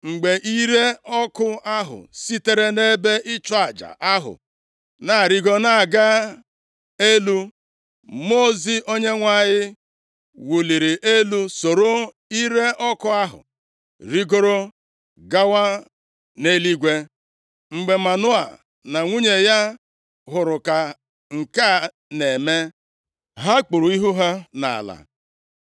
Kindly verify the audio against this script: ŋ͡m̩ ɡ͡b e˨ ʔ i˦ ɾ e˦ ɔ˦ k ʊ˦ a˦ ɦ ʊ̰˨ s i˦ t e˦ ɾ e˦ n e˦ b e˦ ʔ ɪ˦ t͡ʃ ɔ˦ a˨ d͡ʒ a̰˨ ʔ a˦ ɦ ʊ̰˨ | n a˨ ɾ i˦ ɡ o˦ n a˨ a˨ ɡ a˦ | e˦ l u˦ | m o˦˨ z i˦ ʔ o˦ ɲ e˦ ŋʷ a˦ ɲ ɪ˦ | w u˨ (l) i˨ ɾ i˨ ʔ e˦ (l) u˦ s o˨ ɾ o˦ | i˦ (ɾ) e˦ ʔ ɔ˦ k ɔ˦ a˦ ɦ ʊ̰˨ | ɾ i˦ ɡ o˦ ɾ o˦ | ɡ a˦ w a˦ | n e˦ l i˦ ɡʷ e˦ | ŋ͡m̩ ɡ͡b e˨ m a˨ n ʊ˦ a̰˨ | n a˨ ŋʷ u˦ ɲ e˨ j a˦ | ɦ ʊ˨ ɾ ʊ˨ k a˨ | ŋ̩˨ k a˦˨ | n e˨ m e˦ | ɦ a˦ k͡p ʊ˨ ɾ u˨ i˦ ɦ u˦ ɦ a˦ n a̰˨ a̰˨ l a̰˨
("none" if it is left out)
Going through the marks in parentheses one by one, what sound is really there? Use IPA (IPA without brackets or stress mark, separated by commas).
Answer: l, l, ɾ